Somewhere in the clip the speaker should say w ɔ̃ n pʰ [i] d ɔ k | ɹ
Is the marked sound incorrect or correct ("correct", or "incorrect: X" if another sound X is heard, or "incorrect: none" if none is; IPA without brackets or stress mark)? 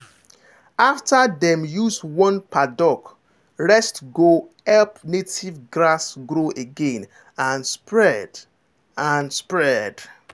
incorrect: a